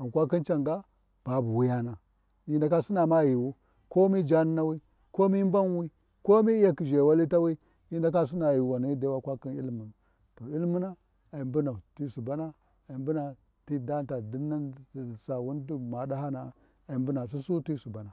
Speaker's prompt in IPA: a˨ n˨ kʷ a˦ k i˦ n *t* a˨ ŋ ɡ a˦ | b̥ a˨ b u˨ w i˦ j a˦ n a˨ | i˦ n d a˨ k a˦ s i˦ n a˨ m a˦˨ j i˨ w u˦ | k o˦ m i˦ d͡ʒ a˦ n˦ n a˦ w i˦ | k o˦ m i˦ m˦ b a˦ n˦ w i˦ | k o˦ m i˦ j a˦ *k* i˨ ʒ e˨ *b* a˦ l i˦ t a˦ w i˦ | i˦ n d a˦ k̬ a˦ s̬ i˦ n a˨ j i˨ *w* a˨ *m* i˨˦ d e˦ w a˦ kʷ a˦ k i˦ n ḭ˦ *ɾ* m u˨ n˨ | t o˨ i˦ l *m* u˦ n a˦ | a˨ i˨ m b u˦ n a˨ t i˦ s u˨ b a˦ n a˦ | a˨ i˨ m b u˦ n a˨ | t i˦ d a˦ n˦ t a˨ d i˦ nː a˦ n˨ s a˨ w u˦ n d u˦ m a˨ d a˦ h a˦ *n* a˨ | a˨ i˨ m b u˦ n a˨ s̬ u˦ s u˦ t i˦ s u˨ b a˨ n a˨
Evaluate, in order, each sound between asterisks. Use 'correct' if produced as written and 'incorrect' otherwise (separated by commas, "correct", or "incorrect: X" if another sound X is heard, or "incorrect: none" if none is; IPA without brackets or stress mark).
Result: incorrect: t͡ʃ, correct, incorrect: w, correct, incorrect: n, incorrect: l, correct, correct